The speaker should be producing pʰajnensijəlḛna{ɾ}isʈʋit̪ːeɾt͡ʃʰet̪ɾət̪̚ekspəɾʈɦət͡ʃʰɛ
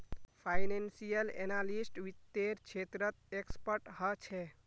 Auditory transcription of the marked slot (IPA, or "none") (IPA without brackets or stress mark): l